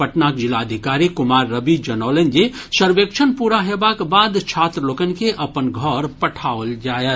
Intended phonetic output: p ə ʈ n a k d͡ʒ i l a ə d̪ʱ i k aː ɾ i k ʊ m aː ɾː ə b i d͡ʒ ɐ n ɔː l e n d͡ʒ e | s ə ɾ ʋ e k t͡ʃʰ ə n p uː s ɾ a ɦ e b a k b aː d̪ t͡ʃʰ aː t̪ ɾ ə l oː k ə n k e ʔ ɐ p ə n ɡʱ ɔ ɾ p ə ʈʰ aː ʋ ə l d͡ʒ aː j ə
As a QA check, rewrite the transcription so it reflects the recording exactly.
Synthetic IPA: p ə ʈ n a k d͡ʒ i l a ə d̪ʱ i k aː ɾ i k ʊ m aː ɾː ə b i d͡ʒ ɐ n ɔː l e n d͡ʒ e | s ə ɾ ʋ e k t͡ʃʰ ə n p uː ɾ a ɦ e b a k b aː d̪ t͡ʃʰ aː t̪ ɾ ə l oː k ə n k e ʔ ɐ p ə n ɡʱ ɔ ɾ p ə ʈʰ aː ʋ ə l d͡ʒ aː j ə